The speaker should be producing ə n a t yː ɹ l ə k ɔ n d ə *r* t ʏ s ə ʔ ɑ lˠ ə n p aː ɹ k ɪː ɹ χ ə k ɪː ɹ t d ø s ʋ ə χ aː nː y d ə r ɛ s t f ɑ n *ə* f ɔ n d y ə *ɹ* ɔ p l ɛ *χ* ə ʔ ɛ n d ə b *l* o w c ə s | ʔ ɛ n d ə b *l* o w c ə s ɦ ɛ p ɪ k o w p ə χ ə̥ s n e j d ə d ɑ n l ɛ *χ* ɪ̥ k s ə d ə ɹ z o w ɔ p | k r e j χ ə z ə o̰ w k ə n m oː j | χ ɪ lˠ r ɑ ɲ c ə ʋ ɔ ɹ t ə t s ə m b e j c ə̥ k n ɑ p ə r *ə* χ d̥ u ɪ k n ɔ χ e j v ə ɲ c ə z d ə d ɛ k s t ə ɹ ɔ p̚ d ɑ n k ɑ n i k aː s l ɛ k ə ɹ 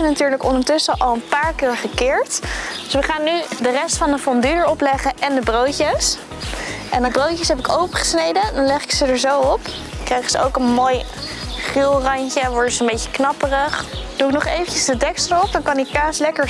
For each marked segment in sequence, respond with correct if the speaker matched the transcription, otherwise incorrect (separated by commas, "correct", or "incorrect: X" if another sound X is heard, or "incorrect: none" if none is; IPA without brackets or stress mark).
incorrect: ɹ, correct, correct, correct, incorrect: r, incorrect: r, correct, correct